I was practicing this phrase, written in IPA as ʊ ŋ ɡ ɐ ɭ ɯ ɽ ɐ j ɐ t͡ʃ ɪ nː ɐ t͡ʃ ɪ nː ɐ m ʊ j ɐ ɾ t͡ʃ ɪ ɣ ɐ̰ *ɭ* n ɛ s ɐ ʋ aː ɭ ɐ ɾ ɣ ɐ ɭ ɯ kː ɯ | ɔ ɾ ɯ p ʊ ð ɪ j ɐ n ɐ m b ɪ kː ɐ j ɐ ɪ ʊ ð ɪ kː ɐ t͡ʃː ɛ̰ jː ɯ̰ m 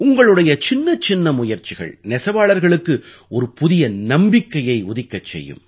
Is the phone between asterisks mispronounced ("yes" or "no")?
no